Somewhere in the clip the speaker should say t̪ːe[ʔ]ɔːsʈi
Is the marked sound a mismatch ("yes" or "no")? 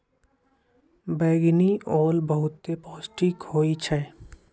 yes